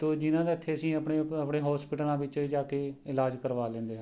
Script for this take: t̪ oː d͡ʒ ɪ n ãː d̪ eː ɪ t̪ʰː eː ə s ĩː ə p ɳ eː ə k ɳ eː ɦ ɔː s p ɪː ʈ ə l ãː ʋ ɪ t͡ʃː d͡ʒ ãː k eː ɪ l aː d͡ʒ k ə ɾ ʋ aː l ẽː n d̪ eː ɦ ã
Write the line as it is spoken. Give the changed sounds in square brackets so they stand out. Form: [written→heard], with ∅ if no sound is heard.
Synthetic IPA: t̪ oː d͡ʒ ɪ n ãː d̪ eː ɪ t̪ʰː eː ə s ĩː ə p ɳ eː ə [k→p] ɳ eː ɦ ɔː s p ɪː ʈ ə l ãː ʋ ɪ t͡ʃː d͡ʒ [ãː→aː] k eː ɪ l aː d͡ʒ k ə ɾ ʋ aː l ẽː n d̪ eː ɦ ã